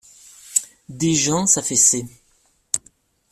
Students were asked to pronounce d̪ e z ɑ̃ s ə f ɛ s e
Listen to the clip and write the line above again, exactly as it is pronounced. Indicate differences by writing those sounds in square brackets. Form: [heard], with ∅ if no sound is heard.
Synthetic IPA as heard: d̪ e [ʒ] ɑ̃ s [a] f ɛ s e